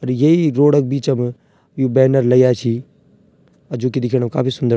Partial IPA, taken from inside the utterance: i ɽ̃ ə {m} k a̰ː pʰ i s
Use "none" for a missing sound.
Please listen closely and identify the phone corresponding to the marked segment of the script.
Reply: m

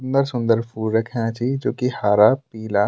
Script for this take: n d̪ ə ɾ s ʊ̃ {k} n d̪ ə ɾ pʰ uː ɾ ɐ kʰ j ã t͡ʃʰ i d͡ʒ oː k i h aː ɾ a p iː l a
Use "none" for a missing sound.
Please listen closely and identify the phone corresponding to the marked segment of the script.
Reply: none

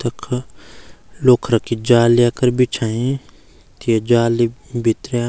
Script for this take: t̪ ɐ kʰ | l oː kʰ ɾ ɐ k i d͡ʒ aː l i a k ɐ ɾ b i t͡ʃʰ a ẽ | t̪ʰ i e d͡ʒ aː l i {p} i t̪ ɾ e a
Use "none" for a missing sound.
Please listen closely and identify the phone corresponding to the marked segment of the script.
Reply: b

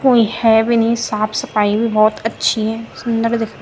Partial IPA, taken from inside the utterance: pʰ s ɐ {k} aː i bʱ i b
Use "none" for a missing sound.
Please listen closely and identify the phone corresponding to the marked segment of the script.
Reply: p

